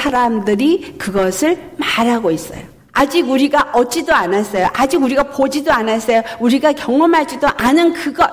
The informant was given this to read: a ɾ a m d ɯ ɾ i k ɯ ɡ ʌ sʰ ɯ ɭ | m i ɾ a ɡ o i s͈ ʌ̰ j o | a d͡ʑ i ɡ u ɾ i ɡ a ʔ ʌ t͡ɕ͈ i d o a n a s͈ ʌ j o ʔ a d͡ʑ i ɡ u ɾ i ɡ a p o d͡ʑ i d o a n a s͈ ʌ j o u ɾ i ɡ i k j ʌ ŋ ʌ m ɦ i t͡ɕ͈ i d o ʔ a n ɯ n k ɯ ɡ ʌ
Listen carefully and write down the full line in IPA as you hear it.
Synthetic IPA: a ɾ a m d ɯ ɾ i k ɯ ɡ ʌ sʰ ɯ ɭ | m a ɾ a ɡ o i s͈ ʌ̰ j o | a d͡ʑ i ɡ u ɾ i ɡ a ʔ ʌ t͡ɕ͈ i d o a n a s͈ ʌ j o ʔ a d͡ʑ i ɡ u ɾ i ɡ a p o d͡ʑ i d o a n a s͈ ʌ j o u ɾ i ɡ a k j ʌ ŋ ʌ m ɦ a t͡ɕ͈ i d o ʔ a n ɯ n k ɯ ɡ ʌ